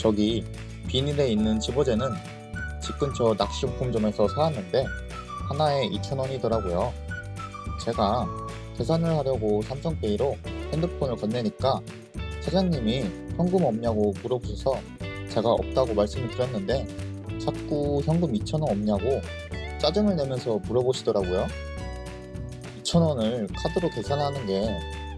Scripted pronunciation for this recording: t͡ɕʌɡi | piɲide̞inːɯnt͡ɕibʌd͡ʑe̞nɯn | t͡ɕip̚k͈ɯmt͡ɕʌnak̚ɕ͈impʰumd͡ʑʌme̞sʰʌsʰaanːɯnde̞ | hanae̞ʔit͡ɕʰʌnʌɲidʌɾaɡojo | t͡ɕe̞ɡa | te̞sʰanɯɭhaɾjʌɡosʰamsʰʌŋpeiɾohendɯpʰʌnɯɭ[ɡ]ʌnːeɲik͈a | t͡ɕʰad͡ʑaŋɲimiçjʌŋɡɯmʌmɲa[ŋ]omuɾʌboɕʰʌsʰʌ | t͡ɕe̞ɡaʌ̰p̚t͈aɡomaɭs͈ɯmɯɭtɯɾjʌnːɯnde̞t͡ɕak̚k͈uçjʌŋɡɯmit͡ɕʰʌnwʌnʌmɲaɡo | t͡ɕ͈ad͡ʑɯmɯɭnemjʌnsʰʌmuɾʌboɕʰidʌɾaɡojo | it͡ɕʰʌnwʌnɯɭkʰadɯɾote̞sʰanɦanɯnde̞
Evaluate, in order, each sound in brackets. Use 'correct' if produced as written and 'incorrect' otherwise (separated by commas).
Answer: incorrect, incorrect